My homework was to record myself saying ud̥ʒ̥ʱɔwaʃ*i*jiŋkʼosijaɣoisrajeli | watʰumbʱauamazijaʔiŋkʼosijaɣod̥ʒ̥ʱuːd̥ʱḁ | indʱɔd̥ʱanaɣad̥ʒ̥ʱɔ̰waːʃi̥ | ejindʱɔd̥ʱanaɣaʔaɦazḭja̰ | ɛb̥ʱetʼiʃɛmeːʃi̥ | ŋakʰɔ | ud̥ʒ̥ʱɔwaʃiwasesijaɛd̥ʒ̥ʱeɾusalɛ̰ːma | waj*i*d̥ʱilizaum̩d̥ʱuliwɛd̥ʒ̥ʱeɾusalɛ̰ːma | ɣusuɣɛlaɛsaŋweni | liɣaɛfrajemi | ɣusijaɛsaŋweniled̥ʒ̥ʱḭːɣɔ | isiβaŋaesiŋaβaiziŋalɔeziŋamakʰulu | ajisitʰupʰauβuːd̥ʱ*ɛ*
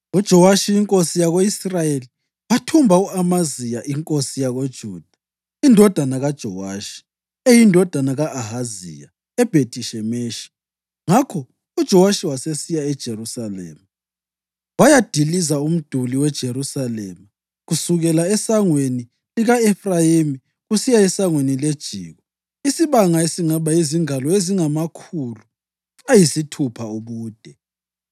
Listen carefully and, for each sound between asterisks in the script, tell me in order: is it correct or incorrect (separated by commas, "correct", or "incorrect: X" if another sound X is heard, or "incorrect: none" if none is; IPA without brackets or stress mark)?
correct, incorrect: a, correct